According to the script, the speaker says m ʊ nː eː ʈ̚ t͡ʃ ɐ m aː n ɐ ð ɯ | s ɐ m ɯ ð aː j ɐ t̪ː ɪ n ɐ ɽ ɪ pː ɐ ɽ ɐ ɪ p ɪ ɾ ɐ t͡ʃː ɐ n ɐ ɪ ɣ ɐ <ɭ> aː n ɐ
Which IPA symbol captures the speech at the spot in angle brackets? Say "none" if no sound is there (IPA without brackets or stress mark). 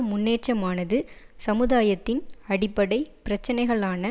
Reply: ɭ